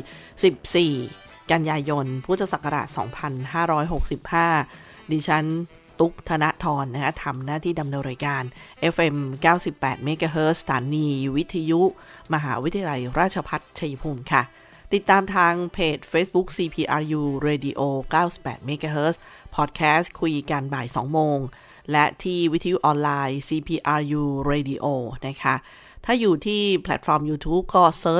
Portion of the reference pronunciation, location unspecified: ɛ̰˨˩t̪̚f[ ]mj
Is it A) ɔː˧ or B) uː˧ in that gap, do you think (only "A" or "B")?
A